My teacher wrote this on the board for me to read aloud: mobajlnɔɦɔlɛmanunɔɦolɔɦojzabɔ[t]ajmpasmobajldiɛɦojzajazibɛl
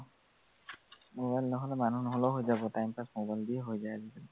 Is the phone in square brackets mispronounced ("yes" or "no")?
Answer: no